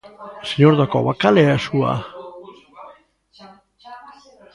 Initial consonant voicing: voiceless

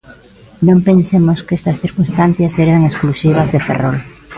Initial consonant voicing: voiced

